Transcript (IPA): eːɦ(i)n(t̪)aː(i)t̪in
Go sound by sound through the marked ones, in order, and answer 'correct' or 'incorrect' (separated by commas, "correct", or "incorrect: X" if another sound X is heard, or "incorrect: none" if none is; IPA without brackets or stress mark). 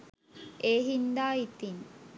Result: correct, incorrect: d̪, correct